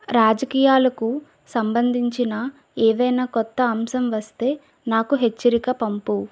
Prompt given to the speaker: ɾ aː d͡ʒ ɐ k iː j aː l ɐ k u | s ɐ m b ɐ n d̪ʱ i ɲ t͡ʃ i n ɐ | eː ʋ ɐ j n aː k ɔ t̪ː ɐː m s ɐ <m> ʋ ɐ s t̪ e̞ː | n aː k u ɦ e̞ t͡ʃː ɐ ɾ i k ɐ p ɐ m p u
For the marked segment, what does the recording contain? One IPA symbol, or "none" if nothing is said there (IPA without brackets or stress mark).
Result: m